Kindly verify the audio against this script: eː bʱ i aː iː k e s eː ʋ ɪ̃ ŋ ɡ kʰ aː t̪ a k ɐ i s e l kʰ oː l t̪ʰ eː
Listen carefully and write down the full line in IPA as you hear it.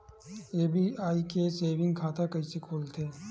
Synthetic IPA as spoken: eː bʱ i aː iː k e s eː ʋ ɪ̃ ŋ ɡ kʰ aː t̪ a k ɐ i s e kʰ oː l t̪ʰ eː